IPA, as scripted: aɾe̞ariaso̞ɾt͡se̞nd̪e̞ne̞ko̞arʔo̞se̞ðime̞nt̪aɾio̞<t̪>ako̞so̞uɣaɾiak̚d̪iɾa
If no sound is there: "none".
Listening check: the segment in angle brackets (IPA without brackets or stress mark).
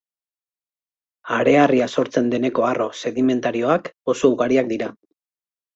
none